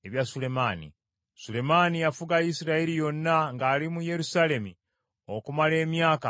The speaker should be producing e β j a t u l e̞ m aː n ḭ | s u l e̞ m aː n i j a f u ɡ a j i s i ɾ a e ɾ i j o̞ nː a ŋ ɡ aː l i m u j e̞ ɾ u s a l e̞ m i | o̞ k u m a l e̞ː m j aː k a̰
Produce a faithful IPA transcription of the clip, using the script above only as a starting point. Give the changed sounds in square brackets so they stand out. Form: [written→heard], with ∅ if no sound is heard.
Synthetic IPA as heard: e β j a [t→s] u l e̞ m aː n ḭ | s u l e̞ m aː n i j a f u ɡ a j i s i ɾ a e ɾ i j o̞ nː a ŋ ɡ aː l i m u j e̞ ɾ u s a l e̞ m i | o̞ k u m a l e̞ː m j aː k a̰